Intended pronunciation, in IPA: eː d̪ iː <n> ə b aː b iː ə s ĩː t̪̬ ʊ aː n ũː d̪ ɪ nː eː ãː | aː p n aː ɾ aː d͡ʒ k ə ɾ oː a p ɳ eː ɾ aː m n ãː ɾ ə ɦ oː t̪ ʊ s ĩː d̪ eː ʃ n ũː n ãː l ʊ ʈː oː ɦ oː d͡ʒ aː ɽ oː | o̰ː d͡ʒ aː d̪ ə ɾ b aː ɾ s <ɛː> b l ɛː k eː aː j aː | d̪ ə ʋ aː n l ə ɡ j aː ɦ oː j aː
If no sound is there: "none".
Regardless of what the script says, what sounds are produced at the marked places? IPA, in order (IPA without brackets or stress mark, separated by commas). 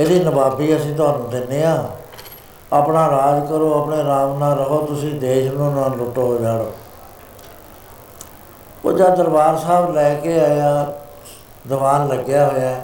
n, aː